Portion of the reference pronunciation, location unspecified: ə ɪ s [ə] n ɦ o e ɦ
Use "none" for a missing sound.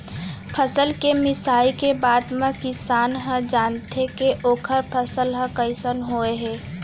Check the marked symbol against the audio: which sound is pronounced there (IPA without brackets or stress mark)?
ə